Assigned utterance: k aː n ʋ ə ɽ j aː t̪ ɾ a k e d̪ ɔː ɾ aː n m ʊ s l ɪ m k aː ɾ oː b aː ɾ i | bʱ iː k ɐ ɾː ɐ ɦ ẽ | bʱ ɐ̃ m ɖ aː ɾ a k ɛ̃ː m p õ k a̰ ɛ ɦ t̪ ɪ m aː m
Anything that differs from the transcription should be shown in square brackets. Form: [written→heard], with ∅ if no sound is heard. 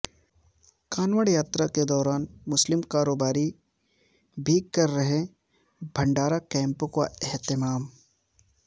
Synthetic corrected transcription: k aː n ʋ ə ɽ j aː t̪ ɾ a k e d̪ ɔː ɾ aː n m ʊ s l ɪ m k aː ɾ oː b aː ɾ i | bʱ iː k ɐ ɾː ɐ ɦ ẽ | bʱ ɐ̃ [m→ɳ] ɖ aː ɾ a k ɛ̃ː m p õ k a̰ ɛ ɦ t̪ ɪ m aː m